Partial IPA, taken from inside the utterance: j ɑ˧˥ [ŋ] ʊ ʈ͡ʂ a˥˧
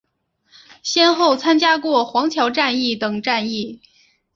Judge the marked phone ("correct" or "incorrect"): incorrect